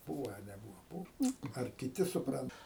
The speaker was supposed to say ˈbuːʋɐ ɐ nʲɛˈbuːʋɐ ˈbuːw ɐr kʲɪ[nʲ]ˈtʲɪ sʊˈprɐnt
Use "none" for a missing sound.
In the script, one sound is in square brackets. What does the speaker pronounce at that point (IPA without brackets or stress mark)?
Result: none